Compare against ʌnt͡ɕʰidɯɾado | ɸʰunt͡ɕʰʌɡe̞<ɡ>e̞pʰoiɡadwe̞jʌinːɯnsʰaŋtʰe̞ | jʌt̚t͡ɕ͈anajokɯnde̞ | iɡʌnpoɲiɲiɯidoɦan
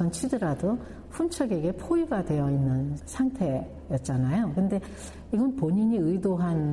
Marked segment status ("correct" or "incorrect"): correct